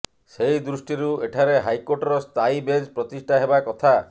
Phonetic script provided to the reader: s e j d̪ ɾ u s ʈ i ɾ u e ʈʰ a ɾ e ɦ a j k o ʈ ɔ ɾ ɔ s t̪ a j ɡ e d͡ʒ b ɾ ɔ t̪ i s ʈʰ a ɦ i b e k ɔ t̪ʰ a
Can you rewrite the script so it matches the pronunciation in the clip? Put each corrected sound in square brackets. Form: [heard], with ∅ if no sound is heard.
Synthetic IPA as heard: s e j d̪ ɾ u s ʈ i ɾ u e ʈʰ a ɾ e ɦ a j k o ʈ ɔ ɾ ɔ s t̪ a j [b] e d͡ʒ [p] ɾ ɔ t̪ i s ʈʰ a ɦ [e] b [a] k ɔ t̪ʰ a